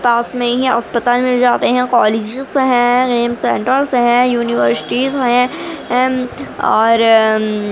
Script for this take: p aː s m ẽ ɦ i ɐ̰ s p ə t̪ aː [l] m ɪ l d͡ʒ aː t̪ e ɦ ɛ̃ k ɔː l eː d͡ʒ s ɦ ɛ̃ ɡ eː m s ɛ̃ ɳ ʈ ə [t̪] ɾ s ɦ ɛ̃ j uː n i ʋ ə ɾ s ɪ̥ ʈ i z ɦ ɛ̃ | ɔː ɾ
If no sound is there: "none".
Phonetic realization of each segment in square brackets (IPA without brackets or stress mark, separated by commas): l, none